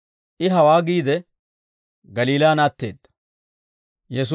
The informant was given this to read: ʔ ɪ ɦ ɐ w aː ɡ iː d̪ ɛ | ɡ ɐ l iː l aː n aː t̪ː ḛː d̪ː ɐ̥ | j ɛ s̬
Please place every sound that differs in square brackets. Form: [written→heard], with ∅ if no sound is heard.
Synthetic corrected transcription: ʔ ɪ ɦ ɐ w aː ɡ iː d̪ ɛ | ɡ ɐ l iː l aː n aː t̪ː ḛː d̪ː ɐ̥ | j ɛ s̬